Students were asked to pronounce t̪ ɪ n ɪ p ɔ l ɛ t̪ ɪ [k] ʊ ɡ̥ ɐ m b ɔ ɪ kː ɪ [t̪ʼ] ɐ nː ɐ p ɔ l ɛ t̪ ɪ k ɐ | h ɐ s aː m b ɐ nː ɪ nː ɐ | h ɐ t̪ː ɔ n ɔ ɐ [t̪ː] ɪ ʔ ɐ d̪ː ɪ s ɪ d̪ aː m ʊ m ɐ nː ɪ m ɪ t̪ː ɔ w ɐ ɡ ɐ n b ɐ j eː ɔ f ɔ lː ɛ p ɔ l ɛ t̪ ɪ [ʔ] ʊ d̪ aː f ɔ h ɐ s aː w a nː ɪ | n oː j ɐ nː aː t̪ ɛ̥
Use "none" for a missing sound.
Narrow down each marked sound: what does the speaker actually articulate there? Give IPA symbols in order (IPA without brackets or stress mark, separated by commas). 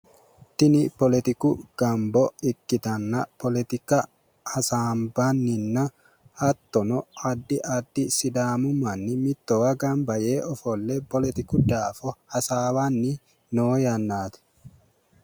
k, t̪, d̪ː, k